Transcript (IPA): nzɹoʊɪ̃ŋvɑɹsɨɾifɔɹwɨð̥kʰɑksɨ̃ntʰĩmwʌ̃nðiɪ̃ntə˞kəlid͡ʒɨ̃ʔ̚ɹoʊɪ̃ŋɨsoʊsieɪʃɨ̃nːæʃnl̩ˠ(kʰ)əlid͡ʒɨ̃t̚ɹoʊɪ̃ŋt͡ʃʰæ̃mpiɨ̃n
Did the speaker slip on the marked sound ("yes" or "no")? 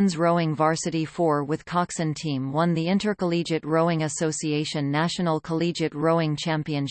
no